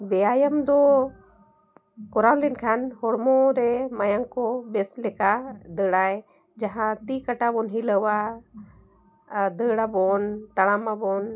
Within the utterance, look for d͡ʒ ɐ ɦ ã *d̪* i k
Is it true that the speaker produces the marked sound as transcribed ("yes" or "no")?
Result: no